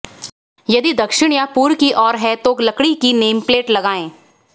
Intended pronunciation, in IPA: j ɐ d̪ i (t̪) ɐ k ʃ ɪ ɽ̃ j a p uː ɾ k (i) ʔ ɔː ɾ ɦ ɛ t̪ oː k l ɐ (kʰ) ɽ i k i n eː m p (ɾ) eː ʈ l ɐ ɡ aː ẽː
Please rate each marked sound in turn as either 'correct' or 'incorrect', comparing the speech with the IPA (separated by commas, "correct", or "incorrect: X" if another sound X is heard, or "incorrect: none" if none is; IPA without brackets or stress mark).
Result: incorrect: d̪, correct, incorrect: k, incorrect: l